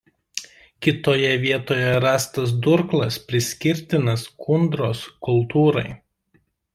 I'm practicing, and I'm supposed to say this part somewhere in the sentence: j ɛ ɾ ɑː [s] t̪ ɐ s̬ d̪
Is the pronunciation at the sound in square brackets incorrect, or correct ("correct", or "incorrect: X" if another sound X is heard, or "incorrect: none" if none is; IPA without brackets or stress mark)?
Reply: correct